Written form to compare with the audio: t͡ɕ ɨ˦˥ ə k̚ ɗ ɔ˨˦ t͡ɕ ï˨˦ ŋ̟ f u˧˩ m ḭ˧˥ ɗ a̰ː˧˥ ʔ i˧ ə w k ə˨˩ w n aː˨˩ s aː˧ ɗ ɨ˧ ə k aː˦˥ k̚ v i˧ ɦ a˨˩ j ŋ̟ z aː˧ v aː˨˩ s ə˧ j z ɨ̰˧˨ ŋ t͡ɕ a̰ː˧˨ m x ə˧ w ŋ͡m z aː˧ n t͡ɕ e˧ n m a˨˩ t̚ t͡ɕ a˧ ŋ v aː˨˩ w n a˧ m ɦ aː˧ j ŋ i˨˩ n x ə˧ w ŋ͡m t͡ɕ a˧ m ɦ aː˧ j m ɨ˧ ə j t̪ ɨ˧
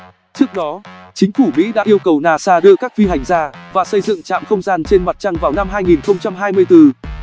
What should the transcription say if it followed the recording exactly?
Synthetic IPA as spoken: t͡ɕ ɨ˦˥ ə k̚ ɗ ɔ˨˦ t͡ɕ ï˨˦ ŋ̟ f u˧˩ m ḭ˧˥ ɗ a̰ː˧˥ ʔ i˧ ə w k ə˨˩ w n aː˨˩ s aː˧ ɗ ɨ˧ ə k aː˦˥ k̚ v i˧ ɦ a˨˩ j ŋ̟ z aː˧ v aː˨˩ s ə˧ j z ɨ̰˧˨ ŋ t͡ɕ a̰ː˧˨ m x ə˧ w ŋ͡m z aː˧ n t͡ɕ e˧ n m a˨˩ t̚ t͡ɕ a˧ ŋ v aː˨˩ w n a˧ m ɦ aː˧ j ŋ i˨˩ n x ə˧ w ŋ͡m t͡ɕ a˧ m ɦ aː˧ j m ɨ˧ ə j t̪ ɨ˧